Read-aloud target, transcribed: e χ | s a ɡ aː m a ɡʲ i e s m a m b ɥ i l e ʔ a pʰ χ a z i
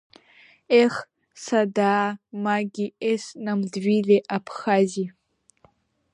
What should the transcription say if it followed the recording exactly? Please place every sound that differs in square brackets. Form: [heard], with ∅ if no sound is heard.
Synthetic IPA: e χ | s a [d] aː m a ɡʲ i e s [n] a m [d] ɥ i l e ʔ a pʰ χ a z i